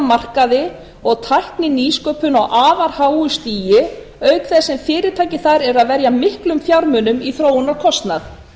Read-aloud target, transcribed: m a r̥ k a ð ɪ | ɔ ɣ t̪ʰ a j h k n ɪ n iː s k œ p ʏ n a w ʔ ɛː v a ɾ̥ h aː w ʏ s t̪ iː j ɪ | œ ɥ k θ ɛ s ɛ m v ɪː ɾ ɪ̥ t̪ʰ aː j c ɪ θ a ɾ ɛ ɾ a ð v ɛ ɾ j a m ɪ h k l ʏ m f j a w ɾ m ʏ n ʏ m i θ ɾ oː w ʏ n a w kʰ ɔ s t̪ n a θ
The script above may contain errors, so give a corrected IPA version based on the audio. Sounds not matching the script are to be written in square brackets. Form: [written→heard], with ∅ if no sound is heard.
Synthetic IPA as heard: m a r̥ k a ð ɪ | ɔ ɣ t̪ʰ a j h k n ɪ n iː s k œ p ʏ n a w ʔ [ɛː→aː] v a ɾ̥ h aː w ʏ s t̪ iː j ɪ | œ ɥ k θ ɛ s ɛ m [v→f] ɪː ɾ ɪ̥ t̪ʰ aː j c ɪ θ a ɾ ɛ ɾ a ð v ɛ ɾ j a m ɪ h k l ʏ m f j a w ɾ m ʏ n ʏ m i θ ɾ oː w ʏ n a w kʰ ɔ s t̪ n a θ